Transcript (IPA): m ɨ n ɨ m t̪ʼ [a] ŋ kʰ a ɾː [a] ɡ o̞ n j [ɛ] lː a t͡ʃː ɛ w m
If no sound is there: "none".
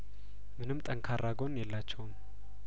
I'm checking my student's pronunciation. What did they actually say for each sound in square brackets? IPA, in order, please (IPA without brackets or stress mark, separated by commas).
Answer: ə, a, ɛ